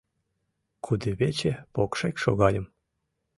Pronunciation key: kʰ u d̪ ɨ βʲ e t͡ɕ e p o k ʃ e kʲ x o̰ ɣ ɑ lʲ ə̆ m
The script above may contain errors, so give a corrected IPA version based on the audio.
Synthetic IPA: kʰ u d̪ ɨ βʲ e t͡ɕ e p o k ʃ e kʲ ʃ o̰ ɣ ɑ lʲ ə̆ m